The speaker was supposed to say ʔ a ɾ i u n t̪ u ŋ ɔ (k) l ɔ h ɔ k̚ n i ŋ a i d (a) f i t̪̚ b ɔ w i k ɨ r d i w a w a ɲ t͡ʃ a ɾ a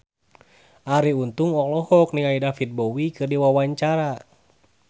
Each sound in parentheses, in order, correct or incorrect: correct, correct

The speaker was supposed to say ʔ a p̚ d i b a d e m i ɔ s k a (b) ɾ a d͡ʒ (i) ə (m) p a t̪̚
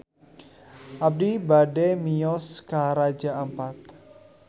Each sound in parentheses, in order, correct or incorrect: incorrect: none, incorrect: a, correct

